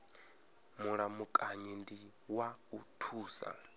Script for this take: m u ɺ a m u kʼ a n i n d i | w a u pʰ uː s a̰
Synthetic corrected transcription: m u ɺ a m u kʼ a ɲ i n d i | w a u tʰ uː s a̰